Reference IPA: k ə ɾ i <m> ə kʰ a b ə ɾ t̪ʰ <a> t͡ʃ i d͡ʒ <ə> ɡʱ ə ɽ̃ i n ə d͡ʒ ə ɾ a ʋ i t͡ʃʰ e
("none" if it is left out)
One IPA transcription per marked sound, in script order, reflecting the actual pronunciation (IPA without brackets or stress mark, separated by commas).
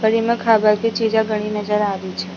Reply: m, i, a